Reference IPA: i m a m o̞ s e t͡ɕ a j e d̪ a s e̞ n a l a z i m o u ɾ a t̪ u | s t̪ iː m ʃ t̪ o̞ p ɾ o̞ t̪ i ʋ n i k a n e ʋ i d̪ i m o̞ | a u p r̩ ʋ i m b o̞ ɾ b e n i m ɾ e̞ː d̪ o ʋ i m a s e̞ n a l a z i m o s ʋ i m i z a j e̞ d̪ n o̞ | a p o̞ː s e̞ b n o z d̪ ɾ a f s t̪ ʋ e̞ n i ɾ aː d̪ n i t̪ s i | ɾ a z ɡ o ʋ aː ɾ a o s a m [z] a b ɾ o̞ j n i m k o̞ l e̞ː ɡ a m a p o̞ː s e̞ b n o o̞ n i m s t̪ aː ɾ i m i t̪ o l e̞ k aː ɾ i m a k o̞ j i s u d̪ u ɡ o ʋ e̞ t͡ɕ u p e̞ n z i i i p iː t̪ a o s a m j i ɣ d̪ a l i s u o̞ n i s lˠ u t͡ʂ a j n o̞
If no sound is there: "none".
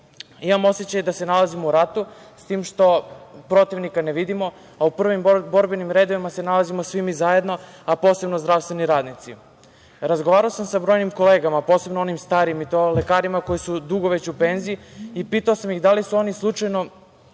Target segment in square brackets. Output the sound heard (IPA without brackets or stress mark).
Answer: s